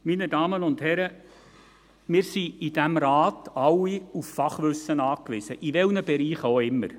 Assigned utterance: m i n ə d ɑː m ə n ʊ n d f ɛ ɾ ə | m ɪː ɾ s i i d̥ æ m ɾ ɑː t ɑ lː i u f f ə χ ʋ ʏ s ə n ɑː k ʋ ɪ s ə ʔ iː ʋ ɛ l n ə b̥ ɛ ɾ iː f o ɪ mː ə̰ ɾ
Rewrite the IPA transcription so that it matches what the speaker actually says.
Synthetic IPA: m i n ə d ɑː m ə n ʊ n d h ɛ ɾ ə | m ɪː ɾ s i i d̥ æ m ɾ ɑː t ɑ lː i u f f ɑ χ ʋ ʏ s ə n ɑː k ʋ ɪ s ə ʔ i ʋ ɛ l n ə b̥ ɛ ɾ iː χ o ɪ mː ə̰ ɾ